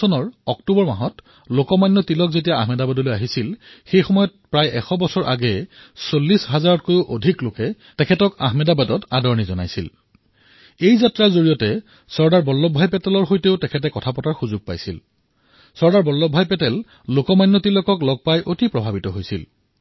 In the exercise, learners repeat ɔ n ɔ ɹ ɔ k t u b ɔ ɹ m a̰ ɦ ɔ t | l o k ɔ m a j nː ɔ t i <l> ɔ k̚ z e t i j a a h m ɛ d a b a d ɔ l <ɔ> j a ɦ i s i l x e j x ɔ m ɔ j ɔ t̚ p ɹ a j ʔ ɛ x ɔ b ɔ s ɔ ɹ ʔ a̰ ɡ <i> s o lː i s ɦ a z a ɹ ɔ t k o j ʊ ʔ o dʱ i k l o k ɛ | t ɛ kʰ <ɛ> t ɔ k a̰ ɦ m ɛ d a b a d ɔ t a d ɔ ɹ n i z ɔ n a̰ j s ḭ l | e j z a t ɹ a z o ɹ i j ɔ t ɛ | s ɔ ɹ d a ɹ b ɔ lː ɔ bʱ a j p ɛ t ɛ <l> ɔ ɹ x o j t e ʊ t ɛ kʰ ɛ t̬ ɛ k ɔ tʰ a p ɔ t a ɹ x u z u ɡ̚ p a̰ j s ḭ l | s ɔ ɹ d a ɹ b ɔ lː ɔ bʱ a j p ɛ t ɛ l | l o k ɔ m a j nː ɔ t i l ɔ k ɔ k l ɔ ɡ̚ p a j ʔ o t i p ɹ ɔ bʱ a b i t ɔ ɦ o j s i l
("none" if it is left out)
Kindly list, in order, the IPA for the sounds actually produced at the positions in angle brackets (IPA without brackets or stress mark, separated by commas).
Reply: l, o, ɛ, ɛ, l